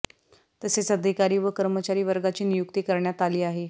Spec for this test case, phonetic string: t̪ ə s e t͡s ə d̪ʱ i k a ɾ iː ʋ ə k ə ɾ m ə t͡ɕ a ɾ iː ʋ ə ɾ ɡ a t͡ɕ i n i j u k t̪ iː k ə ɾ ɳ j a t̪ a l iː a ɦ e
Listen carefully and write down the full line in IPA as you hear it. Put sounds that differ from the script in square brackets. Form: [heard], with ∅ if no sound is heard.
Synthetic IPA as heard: t̪ ə s e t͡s ə d̪ʱ i k a ɾ iː ʋ ə k ə ɾ m ə t͡ɕ a ɾ iː ʋ ə ɾ ɡ a t͡ɕ [iː] n i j u k t̪ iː k ə ɾ ɳ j a t̪ a l iː a ɦ e